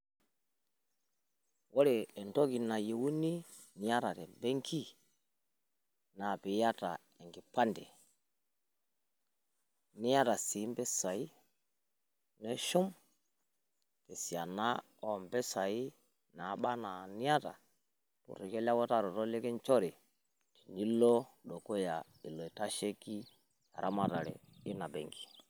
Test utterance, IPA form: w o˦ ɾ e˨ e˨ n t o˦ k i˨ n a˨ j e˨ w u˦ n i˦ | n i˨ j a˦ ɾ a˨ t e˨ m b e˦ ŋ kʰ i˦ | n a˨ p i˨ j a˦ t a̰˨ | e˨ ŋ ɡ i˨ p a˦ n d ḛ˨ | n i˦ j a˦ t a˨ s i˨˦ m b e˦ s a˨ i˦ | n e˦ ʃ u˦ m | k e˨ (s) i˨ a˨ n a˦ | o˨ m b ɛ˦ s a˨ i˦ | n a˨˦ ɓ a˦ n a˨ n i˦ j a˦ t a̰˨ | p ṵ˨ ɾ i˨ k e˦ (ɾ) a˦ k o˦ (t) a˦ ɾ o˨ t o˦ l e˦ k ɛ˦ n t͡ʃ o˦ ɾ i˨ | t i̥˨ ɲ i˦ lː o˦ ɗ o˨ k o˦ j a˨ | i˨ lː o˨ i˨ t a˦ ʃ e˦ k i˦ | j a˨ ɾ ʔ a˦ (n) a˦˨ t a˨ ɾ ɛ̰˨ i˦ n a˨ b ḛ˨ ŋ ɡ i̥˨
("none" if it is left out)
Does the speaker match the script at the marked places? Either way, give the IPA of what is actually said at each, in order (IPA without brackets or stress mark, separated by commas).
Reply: s, l, t, m